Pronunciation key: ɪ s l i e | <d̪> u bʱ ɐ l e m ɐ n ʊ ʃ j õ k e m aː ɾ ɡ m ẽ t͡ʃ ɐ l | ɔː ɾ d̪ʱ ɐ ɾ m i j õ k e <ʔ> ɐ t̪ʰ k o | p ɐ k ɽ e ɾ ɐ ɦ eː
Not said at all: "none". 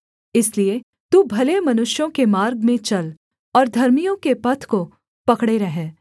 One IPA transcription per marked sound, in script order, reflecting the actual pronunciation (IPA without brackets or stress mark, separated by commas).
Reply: t̪, p